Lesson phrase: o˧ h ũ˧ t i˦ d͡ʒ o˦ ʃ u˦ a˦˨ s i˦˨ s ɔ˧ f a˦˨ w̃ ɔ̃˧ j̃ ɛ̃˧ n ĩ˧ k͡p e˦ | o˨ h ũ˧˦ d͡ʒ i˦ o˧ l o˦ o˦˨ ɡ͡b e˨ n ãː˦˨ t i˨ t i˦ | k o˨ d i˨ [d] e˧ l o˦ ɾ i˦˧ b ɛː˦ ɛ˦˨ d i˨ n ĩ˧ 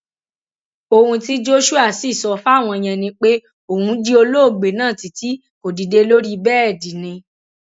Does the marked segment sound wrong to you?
no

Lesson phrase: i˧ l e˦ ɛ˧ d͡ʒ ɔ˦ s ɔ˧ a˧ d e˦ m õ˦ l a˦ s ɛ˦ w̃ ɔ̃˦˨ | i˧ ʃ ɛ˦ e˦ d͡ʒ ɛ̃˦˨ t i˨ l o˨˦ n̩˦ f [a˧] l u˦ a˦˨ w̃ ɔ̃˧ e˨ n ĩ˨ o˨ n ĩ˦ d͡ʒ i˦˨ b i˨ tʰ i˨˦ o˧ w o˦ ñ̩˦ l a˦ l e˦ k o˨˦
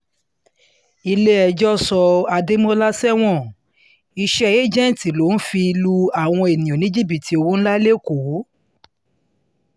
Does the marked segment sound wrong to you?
yes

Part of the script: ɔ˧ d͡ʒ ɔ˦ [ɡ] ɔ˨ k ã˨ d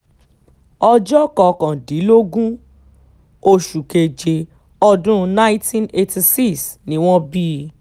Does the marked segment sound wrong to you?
yes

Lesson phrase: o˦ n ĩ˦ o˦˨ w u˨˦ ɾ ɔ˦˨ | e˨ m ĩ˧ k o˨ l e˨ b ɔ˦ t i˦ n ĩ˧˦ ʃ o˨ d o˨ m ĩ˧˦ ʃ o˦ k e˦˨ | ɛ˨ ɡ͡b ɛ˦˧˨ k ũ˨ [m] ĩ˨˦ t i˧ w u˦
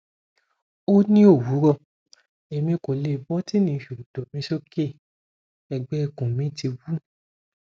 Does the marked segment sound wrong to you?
no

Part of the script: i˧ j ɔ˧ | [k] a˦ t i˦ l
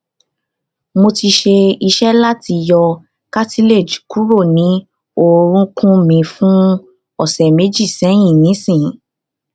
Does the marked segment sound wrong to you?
no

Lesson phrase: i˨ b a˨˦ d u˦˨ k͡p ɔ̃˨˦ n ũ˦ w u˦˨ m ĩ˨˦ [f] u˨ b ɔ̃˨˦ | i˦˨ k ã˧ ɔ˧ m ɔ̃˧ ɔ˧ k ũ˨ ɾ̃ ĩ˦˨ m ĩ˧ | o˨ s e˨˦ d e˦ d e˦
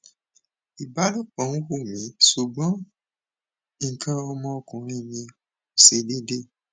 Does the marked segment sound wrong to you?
yes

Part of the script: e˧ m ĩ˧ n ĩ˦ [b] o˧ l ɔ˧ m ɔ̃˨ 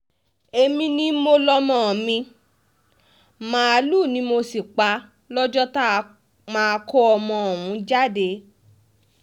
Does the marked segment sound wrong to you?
yes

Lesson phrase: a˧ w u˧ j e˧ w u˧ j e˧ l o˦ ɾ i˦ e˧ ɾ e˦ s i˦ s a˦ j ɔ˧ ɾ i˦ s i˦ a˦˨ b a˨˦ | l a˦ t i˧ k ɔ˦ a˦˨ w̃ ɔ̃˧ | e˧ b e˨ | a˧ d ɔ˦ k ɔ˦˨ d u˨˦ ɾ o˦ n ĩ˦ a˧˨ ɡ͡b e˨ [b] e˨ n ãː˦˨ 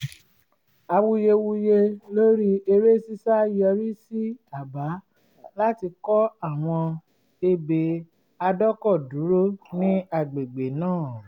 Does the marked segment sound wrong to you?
yes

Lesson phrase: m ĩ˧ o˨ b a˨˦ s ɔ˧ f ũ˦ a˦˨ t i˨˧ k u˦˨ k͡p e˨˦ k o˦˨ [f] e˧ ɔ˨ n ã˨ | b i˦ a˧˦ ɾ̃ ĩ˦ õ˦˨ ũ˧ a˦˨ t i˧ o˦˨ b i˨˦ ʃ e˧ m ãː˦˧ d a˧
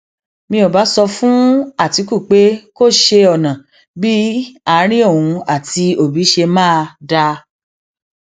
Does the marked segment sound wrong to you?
yes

